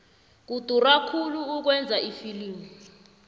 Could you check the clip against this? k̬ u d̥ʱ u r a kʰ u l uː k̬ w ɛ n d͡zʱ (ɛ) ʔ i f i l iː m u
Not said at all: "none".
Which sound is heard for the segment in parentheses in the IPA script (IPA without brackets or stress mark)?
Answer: a